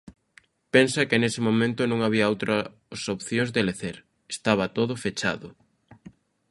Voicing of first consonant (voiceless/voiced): voiceless